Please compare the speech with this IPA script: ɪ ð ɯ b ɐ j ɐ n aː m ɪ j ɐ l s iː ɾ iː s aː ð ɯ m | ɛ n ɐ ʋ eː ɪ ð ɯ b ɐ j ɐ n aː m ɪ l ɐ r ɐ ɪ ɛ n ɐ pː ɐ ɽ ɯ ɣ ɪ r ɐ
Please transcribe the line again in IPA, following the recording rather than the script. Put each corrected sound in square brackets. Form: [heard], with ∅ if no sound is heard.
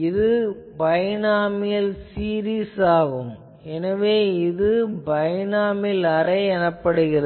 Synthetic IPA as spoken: ɪ ð ɯ b ɐ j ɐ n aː m ɪ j ɐ l s iː ɾ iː s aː [ɣ] ɯ m | ɛ n ɐ ʋ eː ɪ ð ɯ b ɐ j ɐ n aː m ɪ l ɐ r ɐ ɪ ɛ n ɐ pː ɐ ɽ ɯ ɣ ɪ r ɐ